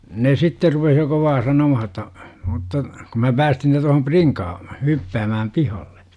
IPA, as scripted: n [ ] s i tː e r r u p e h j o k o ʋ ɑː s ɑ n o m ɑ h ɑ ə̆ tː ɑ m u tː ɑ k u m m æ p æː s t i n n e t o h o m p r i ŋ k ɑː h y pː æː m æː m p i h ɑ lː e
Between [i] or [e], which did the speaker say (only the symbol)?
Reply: e